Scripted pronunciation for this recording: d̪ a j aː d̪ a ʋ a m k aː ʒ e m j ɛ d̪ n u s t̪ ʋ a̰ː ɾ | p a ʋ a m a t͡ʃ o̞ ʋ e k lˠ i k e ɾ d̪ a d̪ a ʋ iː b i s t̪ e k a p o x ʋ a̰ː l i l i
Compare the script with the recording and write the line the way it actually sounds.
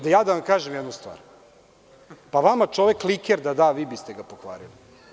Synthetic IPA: d̪ a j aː d̪ a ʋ a m k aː ʒ e m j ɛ d̪ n u s t̪ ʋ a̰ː ɾ | p a ʋ a m a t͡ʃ o̞ ʋ e k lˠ i k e ɾ d̪ a d̪ a ʋ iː b i s t̪ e ɡ a p o x ʋ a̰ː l i l i

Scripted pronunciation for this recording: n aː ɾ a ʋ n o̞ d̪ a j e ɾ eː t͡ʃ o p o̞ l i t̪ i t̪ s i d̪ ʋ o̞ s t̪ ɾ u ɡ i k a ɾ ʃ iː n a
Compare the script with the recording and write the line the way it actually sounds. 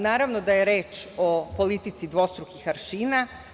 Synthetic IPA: n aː ɾ a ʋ n o̞ d̪ a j e ɾ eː t͡ʃ o p o̞ l i t̪ i t̪ s i d̪ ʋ o̞ s t̪ ɾ u k i x a ɾ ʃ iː n a

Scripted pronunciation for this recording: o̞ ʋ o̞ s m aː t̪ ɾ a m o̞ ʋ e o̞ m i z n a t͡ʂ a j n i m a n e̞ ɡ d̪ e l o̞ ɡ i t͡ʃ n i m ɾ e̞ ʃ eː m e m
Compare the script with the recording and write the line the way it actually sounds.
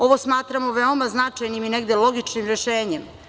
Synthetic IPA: o̞ ʋ o̞ s m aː t̪ ɾ a m o̞ ʋ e o̞ m a z n a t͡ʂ a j n i m i n e̞ ɡ d̪ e l o̞ ɡ i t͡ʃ n i m ɾ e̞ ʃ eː ɲ e m

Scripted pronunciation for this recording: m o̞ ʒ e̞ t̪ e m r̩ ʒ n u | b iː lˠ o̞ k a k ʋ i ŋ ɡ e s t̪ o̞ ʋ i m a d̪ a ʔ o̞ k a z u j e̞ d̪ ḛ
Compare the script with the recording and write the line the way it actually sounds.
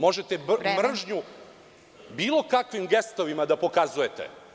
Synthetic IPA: m o̞ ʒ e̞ t̪ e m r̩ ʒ ɲ u | b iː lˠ o̞ k a k ʋ i m ɡ e s t̪ o̞ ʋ i m a d̪ a p o̞ k a z u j e̞ t̪ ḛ

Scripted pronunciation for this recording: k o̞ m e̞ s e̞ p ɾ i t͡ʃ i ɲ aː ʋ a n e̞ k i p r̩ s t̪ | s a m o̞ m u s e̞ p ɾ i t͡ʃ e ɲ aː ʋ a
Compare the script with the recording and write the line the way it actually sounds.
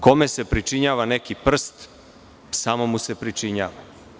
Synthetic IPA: k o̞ m e̞ s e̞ p ɾ i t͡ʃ i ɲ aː ʋ a n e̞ k i p r̩ s t̪ | s a m o̞ m u s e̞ p ɾ i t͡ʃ i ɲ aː ʋ a

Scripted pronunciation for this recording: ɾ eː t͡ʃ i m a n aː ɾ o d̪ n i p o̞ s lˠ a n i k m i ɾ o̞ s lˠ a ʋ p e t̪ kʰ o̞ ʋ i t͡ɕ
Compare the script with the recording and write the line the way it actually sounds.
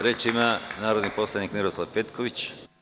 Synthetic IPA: ɾ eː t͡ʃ i m a n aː ɾ o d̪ n i p o̞ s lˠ a n i k m i ɾ o̞ s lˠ a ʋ p e t̪ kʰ o̞ ʋ i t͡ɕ

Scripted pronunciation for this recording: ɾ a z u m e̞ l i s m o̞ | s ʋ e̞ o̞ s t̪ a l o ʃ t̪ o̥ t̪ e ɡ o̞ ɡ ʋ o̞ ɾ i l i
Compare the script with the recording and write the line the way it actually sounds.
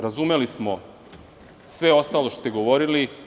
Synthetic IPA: ɾ a z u m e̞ l i s m o̞ | s ʋ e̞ o̞ s t̪ a l o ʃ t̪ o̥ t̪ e ɡ o̞ ʋ o̞ ɾ i l i

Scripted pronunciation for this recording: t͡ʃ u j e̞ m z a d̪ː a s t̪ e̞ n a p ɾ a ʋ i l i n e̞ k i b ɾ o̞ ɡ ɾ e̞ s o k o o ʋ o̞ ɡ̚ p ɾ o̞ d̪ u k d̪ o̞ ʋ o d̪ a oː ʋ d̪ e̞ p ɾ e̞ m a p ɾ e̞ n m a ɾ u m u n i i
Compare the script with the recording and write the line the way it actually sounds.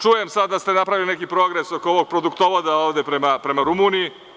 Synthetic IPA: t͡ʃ u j e̞ m s a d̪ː a s t̪ e̞ n a p ɾ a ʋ i l i n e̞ k i p ɾ o̞ ɡ ɾ e̞ s o k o o ʋ o̞ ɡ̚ p ɾ o̞ d̪ u k t̪ o̞ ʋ o d̪ a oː ʋ d̪ e̞ p ɾ e̞ m a p ɾ e̞ m a ɾ u m u n i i

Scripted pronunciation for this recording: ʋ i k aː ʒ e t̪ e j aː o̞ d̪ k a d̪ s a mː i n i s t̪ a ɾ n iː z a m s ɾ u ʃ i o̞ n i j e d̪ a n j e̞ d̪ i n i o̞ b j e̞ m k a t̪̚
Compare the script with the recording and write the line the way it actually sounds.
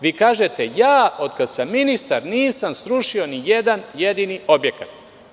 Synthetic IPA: ʋ i k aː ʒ e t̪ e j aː o̞ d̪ k a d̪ s a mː i n i s t̪ a ɾ n iː s a m s ɾ u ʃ i o̞ n i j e d̪ a n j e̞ d̪ i n i o̞ b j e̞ k a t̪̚

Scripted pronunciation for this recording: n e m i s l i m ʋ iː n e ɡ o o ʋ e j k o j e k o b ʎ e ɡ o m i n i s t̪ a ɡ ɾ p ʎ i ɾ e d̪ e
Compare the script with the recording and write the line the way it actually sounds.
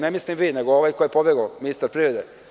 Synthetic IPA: n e m i s l i m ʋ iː n e ɡ o o ʋ a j k o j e p o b j e ɡ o m i n i s t̪ a ɾ p ɾ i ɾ e d̪ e

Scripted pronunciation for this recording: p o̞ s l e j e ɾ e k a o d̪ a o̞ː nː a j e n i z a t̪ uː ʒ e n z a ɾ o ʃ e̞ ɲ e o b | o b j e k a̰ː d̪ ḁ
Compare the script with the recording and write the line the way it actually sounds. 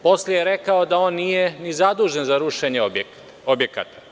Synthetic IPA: p o̞ s l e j e ɾ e k a o d̪ a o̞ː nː i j e n i z a d̪ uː ʒ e n z a ɾ u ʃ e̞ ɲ e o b | o b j e k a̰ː t̪ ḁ

